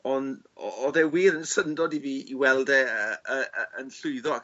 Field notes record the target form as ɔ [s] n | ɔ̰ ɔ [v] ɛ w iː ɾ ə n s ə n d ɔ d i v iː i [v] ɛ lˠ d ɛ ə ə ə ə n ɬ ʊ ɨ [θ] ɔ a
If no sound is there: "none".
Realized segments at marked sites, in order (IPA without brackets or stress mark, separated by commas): none, ð, w, ð